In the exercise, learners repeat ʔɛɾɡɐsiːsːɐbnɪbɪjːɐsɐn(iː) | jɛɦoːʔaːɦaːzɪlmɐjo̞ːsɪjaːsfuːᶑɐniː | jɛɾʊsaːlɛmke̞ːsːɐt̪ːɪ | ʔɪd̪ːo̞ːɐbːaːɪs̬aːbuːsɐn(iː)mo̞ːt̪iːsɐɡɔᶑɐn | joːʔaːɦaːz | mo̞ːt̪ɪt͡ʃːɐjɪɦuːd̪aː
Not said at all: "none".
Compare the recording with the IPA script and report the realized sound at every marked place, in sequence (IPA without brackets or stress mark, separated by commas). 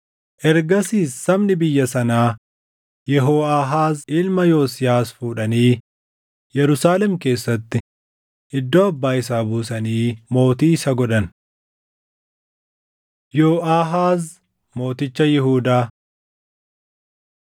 aː, iː